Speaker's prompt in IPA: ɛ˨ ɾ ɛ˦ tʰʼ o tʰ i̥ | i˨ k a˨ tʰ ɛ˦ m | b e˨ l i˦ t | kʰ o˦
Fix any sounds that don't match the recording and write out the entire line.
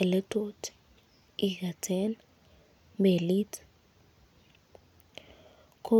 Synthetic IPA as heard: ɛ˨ l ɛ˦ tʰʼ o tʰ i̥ | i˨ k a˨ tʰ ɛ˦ n | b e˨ l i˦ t | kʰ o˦